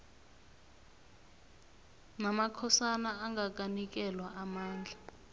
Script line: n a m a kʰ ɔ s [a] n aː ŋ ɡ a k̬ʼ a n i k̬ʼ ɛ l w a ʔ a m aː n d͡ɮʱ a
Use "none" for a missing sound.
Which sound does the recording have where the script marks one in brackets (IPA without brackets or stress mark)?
a